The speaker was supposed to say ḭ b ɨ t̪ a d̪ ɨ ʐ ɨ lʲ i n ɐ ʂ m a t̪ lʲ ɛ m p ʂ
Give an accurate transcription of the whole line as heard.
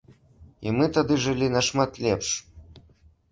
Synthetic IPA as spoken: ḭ m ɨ t̪ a d̪ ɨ ʐ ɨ lʲ i n ɐ ʂ m a t̪ lʲ ɛ p ʂ